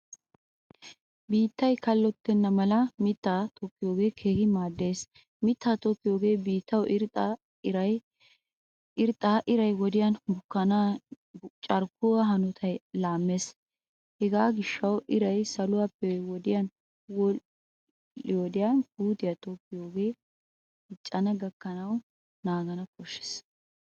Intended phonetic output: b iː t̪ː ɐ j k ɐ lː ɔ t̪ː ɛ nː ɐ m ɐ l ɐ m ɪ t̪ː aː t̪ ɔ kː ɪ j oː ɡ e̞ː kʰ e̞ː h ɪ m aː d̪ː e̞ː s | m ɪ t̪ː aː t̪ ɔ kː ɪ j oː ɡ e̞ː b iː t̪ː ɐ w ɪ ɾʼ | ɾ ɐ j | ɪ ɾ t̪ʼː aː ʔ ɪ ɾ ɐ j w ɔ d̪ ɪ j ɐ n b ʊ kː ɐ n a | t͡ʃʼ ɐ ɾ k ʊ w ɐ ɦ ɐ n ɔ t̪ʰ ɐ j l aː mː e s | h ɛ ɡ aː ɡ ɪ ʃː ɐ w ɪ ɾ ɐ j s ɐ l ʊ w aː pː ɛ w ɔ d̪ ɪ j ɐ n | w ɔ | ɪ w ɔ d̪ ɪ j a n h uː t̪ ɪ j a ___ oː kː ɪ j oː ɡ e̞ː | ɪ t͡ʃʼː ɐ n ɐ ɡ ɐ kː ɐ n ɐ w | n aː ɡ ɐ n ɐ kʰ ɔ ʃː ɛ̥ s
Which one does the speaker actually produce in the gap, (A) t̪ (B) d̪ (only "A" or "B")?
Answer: A